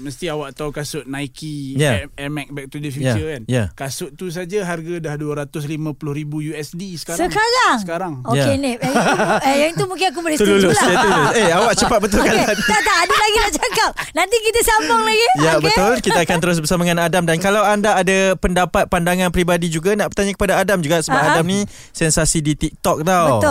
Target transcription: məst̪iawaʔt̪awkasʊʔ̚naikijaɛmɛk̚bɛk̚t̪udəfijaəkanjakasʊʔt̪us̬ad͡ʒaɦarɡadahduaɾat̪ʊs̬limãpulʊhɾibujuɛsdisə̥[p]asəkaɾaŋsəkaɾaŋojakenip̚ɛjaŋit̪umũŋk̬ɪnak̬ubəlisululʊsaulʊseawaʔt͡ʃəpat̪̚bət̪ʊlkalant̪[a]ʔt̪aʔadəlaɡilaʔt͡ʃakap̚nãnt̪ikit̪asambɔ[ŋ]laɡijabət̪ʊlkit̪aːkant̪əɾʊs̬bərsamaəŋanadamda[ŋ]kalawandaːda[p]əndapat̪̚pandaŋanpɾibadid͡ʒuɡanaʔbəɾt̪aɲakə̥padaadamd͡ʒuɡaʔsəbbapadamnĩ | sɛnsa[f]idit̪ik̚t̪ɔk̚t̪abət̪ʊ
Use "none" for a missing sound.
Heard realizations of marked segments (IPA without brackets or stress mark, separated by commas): k, a, ŋ, n, p, s